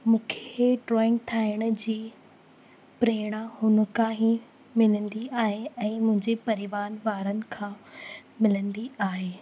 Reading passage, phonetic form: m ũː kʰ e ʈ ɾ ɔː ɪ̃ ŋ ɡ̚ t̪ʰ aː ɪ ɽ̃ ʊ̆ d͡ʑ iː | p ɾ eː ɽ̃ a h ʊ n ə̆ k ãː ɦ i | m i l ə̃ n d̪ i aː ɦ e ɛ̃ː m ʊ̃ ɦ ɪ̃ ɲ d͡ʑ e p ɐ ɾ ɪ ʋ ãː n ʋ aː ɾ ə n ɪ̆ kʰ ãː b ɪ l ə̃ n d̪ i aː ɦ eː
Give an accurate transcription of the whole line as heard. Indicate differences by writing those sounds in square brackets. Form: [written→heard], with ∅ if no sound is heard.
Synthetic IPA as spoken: m ũː kʰ e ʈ ɾ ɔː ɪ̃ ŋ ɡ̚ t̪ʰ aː ɪ ɽ̃ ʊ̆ d͡ʑ iː | p ɾ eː ɽ̃ a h ʊ n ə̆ k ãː ɦ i | m [i→ɪ] l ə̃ n d̪ i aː ɦ e ɛ̃ː m ʊ̃ ɦ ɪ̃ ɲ d͡ʑ e p ɐ ɾ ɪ ʋ [ãː→aː] n ʋ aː ɾ ə n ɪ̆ kʰ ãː [b→m] ɪ l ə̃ n d̪ i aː ɦ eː